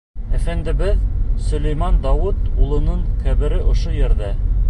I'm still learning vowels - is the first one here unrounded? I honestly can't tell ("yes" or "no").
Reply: yes